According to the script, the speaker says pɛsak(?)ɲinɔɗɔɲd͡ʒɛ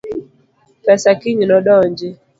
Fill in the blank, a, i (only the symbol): i